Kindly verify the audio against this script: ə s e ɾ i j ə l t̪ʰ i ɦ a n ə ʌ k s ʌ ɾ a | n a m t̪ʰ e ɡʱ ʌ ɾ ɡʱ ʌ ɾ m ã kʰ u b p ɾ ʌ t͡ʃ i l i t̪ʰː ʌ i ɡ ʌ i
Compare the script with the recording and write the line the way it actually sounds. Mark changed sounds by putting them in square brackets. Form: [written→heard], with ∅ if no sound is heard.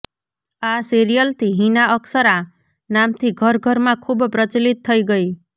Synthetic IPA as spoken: [ə→a] s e ɾ i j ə l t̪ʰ i ɦ [a→i] n [ə→a] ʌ k s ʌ ɾ a | n a m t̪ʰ [e→i] ɡʱ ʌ ɾ ɡʱ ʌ ɾ m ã kʰ u b p ɾ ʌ t͡ʃ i l i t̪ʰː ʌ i ɡ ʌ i